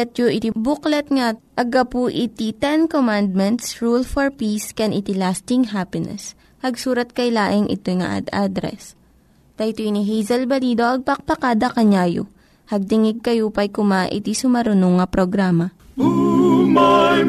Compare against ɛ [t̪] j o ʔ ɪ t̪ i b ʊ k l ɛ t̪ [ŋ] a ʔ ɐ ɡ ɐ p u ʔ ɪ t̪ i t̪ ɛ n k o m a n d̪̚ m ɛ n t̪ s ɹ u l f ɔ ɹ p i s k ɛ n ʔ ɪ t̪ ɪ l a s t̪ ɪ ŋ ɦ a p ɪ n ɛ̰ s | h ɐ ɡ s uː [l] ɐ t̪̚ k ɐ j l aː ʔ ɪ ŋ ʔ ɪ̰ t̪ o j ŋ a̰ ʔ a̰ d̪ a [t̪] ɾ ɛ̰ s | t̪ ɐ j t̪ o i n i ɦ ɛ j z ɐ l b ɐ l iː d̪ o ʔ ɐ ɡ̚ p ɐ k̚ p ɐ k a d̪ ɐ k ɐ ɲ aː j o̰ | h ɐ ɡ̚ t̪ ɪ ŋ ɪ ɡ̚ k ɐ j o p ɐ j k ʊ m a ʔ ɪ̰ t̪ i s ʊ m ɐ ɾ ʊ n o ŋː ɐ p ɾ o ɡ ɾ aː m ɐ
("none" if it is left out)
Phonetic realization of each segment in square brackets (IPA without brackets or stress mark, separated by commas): t̪, ŋ, ɾ, d̪